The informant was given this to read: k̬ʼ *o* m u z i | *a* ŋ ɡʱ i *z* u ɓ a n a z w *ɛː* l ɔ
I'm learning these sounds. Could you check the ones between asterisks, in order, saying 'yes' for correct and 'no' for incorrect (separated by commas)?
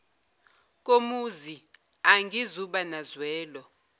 yes, yes, yes, yes